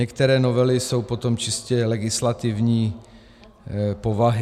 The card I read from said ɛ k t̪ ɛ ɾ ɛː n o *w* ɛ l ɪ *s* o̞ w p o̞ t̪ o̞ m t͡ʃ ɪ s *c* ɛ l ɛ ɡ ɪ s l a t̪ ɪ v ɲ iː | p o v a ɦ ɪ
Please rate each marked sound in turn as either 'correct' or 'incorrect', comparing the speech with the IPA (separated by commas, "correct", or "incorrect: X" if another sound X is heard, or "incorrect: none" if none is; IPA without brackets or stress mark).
incorrect: v, correct, correct